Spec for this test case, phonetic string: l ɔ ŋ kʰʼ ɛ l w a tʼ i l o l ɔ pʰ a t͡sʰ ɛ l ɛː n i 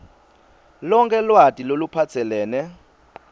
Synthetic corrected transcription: l ɔ ŋ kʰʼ ɛ l w a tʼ i l o l u pʰ a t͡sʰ ɛ l ɛː n ɛ